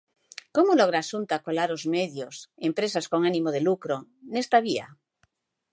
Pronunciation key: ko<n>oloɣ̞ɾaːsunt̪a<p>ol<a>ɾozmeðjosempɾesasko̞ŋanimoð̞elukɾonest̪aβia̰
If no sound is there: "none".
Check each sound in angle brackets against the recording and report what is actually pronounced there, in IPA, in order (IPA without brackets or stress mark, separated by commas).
m, k, a